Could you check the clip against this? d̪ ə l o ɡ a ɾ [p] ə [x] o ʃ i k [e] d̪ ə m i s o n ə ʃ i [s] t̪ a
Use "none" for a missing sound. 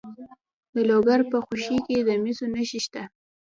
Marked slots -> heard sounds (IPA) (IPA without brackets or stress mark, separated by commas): p, x, e, ʃ